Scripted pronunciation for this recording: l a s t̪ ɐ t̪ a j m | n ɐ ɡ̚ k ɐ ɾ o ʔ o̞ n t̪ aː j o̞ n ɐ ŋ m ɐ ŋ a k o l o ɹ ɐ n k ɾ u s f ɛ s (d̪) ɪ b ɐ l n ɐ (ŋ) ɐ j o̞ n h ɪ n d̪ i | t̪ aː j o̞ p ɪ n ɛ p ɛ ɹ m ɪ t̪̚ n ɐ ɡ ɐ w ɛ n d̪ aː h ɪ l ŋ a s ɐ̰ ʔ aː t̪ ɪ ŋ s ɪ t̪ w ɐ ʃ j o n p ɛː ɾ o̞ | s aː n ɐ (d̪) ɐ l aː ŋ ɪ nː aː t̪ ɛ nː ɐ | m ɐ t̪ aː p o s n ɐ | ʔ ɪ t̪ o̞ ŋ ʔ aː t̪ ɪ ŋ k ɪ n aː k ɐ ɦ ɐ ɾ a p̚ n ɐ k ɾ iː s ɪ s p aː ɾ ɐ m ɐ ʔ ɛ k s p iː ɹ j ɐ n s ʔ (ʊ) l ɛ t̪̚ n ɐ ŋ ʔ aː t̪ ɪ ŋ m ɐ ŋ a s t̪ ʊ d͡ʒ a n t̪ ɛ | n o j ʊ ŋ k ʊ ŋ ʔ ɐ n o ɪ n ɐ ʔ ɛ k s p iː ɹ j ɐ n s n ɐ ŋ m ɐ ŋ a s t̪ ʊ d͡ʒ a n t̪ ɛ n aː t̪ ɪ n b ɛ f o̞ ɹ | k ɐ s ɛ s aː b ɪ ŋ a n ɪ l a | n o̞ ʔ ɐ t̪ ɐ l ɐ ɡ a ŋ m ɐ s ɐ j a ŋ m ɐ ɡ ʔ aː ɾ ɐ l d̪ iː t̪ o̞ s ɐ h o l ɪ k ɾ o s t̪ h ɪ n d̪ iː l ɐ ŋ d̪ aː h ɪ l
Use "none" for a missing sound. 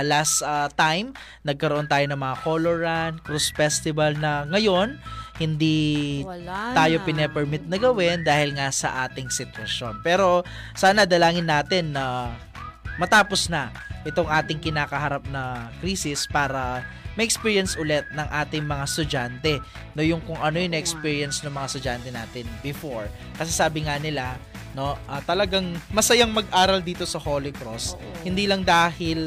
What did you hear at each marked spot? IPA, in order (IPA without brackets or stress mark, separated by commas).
t̪, ŋ, d̪, ʊ